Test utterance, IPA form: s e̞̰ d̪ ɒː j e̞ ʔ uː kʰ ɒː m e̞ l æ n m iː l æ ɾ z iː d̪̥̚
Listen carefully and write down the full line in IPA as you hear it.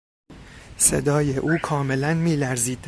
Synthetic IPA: s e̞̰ d̪ ɒː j e̞ ʔ uː kʰ ɒː m e̞ l æ n m iː l æ ɾ z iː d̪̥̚